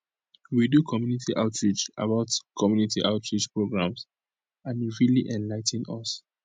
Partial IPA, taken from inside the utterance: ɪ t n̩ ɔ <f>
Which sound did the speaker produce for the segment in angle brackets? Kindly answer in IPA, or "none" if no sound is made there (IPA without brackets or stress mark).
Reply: s